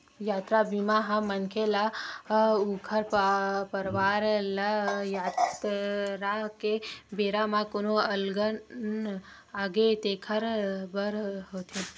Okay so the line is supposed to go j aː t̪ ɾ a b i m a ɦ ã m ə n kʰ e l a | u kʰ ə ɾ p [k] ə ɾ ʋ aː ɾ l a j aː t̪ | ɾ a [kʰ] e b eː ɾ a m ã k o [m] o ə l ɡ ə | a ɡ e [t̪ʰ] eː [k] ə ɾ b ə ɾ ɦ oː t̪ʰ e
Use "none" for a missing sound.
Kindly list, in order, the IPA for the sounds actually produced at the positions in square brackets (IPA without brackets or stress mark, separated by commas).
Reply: p, k, n, t̪, kʰ